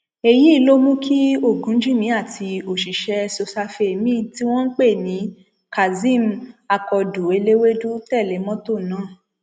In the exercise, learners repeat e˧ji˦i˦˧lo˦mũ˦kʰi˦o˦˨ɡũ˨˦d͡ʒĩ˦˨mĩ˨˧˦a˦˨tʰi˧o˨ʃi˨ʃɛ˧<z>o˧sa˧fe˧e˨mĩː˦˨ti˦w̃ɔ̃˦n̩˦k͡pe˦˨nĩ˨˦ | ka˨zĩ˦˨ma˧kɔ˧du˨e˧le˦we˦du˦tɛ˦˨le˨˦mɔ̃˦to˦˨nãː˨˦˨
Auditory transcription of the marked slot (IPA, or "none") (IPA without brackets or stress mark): s